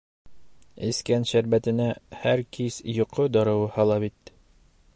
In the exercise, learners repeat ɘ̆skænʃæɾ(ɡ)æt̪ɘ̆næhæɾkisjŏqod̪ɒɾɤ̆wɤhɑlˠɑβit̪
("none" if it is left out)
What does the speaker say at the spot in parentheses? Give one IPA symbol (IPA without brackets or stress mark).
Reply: b